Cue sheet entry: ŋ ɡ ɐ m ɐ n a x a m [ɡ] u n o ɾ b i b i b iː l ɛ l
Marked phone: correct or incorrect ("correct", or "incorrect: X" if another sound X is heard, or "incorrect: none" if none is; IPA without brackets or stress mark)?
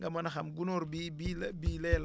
correct